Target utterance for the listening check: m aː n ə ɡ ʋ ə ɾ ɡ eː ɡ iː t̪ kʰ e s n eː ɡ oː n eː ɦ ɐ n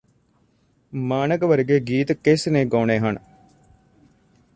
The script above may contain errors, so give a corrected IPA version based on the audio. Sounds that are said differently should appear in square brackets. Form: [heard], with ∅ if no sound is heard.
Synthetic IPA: m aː n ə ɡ ʋ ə ɾ ɡ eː ɡ iː t̪ [k] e s n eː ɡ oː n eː ɦ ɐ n